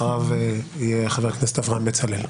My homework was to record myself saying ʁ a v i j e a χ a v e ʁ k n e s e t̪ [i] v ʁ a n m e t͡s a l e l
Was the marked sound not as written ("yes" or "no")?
yes